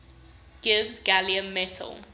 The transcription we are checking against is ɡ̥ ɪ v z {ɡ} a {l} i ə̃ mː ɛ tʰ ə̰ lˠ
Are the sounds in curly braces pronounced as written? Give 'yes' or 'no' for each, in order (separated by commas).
yes, yes